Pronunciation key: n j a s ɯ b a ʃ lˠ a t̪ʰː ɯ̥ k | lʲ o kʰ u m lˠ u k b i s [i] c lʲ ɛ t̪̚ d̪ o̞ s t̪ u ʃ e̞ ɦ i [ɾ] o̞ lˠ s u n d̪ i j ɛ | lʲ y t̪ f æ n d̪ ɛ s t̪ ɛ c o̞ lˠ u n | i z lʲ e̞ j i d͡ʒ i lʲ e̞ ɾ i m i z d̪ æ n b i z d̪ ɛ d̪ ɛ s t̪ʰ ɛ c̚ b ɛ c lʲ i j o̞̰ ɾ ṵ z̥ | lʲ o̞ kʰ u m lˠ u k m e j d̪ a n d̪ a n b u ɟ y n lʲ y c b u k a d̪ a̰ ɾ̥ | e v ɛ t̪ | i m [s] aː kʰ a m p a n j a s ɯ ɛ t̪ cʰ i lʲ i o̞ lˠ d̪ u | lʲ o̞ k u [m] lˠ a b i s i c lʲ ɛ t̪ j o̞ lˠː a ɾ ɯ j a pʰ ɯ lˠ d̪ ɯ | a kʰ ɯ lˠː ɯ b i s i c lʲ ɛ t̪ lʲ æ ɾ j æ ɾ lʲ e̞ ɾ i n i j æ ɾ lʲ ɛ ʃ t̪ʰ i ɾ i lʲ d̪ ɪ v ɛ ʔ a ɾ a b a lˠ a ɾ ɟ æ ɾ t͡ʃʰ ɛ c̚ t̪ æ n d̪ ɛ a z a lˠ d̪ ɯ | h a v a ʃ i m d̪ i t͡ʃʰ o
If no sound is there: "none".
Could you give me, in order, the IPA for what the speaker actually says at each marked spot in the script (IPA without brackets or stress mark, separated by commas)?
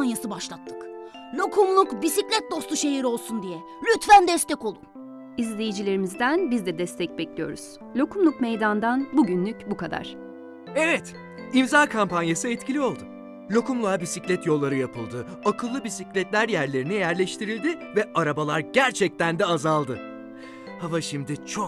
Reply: i, ɾ, z, m